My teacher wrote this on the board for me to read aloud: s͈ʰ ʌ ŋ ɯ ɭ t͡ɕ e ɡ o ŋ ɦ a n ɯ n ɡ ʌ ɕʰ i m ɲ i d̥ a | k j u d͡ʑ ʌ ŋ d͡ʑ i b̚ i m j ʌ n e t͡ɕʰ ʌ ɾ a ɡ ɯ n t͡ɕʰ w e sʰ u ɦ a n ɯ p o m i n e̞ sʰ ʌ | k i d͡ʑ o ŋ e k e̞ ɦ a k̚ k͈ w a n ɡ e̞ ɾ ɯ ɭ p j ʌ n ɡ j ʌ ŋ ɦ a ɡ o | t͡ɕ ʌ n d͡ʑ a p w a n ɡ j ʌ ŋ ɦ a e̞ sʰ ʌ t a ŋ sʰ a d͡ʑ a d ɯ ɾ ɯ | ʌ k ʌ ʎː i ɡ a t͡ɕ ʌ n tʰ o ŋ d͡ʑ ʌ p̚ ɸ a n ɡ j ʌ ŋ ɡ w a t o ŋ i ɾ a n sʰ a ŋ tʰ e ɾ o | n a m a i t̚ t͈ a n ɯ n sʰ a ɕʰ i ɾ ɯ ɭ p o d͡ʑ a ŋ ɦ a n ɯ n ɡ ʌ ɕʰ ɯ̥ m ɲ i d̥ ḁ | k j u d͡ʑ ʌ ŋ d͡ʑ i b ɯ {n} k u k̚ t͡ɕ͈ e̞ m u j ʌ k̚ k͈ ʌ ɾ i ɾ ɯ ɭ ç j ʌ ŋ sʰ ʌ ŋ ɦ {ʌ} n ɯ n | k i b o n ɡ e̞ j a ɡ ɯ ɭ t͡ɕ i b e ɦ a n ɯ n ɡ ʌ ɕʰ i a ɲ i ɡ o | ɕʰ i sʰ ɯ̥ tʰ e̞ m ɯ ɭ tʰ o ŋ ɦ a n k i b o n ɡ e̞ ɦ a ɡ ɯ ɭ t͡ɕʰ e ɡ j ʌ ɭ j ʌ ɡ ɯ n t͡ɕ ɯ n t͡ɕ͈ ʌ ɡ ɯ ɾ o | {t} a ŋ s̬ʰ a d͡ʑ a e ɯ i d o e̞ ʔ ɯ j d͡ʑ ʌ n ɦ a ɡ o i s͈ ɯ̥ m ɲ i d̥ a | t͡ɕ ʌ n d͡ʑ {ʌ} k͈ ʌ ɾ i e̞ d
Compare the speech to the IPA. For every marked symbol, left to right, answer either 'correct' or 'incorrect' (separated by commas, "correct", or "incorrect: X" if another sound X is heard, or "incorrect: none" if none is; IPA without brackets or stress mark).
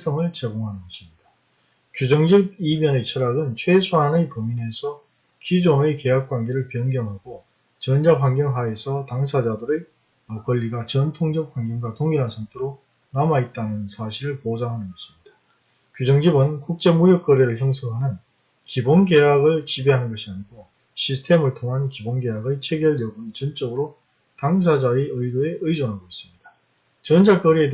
correct, incorrect: a, correct, incorrect: a